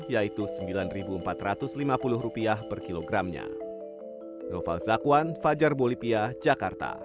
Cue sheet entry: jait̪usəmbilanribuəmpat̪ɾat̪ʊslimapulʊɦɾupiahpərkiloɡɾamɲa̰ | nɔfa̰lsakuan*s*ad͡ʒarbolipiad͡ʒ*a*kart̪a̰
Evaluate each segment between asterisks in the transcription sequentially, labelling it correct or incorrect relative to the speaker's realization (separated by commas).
incorrect, correct